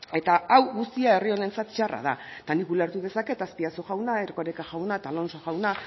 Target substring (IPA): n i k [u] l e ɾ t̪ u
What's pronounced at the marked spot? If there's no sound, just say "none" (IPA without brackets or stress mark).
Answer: u